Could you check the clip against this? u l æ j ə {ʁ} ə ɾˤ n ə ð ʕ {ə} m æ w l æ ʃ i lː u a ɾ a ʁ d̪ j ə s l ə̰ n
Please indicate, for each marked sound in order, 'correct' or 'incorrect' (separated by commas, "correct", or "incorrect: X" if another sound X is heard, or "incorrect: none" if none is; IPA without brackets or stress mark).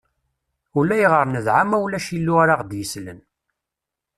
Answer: correct, incorrect: a